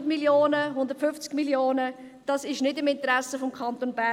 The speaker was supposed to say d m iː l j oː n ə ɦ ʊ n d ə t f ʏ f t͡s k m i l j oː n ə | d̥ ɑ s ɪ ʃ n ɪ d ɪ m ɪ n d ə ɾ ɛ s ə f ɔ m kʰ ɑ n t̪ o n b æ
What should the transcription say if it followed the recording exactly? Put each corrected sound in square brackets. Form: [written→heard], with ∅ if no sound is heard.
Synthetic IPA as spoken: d m [iː→i] l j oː n ə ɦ ʊ n d ə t f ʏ f t͡s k m i l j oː n ə | d̥ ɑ s ɪ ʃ n ɪ d ɪ m ɪ n [d→t] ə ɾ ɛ s ə f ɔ m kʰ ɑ n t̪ o n b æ